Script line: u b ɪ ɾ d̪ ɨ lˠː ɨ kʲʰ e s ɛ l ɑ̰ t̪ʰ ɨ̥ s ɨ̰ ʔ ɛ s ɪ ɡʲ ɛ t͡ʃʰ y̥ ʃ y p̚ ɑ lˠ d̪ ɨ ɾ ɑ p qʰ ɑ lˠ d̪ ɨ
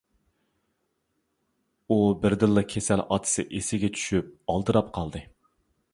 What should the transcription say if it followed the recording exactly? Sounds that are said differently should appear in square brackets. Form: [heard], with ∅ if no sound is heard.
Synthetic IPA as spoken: u b ɪ ɾ d̪ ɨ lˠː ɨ kʲʰ e s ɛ l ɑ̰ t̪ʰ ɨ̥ s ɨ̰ ʔ [e] s ɪ ɡʲ ɛ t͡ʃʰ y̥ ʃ y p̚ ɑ lˠ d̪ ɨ ɾ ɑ p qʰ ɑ lˠ d̪ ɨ